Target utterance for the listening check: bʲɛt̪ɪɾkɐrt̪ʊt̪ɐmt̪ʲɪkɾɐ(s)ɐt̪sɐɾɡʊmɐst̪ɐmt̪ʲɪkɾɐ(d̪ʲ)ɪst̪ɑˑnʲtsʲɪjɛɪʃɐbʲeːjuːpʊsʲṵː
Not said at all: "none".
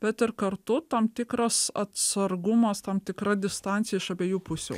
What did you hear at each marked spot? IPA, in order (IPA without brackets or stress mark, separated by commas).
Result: s, d̪ʲ